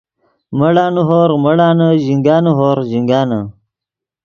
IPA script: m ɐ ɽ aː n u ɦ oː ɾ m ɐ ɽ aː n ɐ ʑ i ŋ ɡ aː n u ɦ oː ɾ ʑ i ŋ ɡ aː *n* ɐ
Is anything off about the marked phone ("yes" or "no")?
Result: no